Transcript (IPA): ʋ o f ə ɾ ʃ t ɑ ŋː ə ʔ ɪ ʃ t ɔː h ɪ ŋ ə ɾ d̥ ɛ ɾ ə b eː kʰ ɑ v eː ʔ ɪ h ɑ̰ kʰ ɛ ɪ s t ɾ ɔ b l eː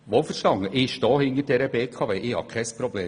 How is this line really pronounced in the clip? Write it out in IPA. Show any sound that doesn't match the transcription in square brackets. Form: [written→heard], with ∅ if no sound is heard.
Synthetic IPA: ʋ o f ə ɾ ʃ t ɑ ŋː ə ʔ ɪ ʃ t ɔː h ɪ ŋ ə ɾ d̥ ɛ ɾ ə b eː kʰ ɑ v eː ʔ ɪ h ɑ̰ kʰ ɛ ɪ s [t→p] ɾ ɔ b l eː